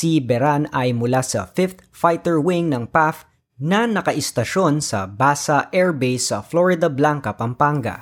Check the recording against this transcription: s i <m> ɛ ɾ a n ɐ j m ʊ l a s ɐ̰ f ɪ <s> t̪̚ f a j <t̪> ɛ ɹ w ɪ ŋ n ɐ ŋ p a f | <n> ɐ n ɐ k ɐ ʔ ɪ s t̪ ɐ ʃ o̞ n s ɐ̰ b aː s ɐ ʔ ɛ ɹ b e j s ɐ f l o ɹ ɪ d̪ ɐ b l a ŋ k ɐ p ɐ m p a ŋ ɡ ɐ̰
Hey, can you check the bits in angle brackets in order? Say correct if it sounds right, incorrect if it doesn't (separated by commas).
incorrect, incorrect, correct, correct